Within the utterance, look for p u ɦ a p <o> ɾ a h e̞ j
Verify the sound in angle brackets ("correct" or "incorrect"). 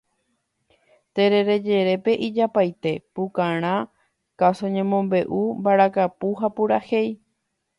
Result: incorrect